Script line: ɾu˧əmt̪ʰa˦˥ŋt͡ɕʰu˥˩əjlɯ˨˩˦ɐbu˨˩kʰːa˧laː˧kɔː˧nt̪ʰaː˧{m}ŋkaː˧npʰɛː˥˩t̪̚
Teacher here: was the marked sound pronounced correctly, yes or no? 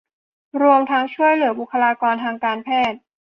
no